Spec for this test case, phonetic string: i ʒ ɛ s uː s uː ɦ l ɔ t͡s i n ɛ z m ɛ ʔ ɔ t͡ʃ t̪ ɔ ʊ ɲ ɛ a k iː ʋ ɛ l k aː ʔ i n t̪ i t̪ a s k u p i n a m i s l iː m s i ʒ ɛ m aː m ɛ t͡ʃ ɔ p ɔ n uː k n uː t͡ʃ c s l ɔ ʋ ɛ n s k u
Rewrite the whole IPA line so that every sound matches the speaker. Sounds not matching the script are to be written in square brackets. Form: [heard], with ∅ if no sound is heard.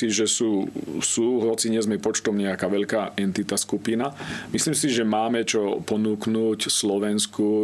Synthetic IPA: i ʒ ɛ s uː s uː ɦ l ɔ t͡s i [ɲ] ɛ z m ɛ [p] ɔ t͡ʃ t̪ ɔ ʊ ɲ ɛ a k [aː] ʋ ɛ [ʎ] k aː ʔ [ɛ] n t̪ i t̪ a s k u p i n a m i s l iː m s i ʒ ɛ m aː m ɛ t͡ʃ ɔ p ɔ n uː k n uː [∅] c s l ɔ ʋ ɛ n s k u